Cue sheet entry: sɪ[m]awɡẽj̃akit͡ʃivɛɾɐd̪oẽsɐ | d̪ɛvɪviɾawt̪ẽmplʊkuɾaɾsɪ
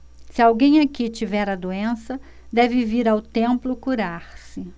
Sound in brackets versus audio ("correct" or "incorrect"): incorrect